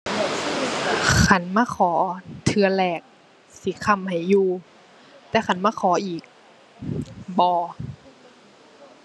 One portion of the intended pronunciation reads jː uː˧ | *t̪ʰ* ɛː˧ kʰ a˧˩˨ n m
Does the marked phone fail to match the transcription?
yes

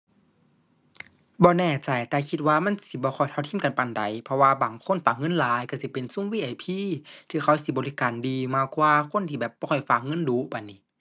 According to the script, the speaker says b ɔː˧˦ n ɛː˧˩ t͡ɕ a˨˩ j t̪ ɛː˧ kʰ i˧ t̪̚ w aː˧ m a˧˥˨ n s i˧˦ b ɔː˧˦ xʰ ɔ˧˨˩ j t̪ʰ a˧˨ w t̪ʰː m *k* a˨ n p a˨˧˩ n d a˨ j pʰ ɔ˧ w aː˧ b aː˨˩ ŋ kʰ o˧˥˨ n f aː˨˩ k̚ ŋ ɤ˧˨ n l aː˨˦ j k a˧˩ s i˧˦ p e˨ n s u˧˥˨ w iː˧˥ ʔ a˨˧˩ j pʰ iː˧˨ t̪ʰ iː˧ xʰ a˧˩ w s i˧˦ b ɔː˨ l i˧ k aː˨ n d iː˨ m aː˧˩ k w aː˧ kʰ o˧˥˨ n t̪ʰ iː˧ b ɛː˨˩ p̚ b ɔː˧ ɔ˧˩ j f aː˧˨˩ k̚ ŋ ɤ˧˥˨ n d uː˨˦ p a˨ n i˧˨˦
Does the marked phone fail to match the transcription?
no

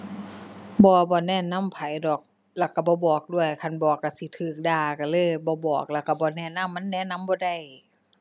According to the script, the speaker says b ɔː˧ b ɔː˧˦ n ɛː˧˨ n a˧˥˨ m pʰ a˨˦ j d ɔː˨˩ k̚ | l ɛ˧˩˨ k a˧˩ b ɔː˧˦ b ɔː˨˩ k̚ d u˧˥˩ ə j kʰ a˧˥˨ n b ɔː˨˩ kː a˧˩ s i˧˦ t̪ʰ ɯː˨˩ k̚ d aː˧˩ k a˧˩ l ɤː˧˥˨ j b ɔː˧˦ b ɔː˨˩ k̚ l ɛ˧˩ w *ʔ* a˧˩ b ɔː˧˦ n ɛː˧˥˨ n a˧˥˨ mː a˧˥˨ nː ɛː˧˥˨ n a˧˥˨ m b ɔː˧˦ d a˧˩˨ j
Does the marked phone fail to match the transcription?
yes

